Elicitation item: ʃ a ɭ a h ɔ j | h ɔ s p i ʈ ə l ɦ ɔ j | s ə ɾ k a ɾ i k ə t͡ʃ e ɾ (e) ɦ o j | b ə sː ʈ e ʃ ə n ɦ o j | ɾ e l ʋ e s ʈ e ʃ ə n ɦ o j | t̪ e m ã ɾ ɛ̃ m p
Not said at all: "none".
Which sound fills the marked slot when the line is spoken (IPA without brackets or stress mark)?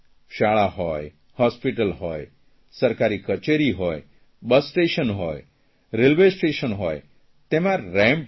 i